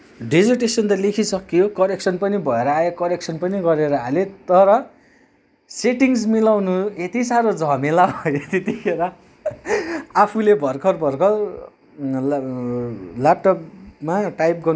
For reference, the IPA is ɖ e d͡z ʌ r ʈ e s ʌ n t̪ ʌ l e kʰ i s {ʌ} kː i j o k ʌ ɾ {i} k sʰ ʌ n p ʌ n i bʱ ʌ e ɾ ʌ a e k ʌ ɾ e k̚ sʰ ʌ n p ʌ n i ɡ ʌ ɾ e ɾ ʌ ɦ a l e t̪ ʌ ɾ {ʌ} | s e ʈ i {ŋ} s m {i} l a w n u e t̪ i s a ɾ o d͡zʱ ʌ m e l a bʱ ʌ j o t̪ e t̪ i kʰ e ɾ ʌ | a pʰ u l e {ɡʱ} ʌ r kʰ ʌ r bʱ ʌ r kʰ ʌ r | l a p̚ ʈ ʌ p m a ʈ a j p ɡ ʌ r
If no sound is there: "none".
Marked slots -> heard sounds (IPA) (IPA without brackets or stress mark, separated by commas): ʌ, e, ʌ, ŋ, i, bʱ